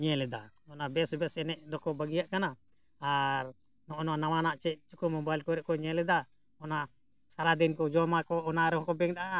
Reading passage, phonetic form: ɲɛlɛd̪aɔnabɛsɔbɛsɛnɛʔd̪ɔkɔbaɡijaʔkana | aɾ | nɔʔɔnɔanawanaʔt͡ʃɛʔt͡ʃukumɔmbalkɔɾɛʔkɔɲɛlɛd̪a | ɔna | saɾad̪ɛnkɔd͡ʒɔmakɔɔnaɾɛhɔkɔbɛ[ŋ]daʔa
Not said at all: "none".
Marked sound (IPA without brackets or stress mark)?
ŋ